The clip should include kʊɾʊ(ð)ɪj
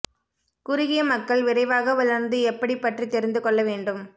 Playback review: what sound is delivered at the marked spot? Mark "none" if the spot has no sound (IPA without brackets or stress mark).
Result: ɣ